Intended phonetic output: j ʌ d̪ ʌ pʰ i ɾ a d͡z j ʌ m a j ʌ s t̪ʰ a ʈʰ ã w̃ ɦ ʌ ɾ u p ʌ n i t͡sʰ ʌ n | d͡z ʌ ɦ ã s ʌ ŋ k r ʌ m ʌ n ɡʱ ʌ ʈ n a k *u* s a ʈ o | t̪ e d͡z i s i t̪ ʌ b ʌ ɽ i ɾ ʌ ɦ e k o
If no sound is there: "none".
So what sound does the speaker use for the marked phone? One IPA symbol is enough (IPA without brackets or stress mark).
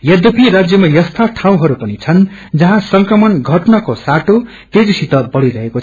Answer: o